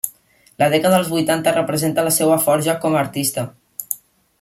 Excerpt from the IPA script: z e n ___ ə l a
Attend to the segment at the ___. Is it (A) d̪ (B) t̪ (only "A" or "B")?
B